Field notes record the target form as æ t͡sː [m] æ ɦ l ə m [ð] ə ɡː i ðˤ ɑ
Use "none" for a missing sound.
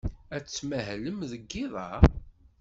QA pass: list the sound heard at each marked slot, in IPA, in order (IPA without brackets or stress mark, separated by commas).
m, ð